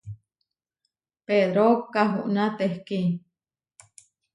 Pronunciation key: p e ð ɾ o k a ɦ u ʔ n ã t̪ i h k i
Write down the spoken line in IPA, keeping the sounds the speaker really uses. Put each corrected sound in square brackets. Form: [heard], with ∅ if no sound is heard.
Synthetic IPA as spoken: p e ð ɾ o k a ɦ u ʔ n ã t̪ [e] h k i